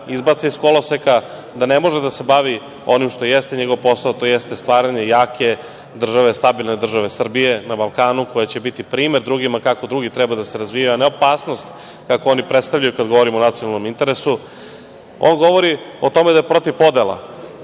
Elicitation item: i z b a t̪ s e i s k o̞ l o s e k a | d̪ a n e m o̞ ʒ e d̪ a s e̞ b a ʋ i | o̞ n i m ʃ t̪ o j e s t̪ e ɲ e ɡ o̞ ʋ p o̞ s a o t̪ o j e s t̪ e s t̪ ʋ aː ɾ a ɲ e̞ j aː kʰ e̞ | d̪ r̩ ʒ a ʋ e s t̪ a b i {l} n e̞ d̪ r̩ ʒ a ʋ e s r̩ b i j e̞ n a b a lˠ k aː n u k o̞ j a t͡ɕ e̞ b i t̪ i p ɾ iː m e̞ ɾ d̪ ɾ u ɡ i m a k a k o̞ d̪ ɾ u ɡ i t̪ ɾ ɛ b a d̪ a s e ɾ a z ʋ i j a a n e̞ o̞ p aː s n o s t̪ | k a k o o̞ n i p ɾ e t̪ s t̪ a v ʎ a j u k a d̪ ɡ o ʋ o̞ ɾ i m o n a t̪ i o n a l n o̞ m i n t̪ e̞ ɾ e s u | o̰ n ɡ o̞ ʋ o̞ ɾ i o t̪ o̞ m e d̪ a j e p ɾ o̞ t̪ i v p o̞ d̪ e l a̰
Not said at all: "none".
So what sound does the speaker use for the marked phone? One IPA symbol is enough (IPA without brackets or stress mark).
l